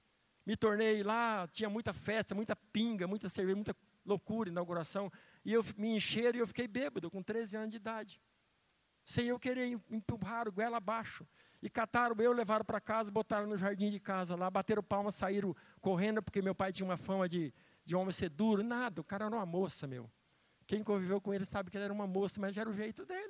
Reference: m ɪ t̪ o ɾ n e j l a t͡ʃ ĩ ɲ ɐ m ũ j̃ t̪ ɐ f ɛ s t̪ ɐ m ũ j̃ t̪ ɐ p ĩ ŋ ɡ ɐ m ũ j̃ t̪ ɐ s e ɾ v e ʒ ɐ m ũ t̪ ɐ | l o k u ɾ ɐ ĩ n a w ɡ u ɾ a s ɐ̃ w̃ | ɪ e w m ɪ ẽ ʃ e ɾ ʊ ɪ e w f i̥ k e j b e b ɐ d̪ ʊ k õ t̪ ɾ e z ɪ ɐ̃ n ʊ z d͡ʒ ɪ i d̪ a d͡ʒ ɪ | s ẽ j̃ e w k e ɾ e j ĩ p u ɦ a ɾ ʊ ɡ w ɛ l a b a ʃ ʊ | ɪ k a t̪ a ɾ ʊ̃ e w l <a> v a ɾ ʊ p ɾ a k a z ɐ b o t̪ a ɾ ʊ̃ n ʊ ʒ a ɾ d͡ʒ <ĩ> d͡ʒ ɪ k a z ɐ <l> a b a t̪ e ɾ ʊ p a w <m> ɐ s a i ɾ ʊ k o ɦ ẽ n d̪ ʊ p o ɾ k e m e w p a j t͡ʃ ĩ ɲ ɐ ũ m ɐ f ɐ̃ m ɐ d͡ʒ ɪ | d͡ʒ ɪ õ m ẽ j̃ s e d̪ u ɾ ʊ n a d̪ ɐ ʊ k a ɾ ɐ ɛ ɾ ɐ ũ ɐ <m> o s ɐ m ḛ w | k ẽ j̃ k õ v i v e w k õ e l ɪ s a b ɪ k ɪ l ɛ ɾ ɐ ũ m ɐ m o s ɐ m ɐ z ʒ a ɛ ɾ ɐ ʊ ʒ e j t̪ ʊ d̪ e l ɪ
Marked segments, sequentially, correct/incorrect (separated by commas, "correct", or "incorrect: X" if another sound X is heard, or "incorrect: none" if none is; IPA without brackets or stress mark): incorrect: e, correct, correct, correct, correct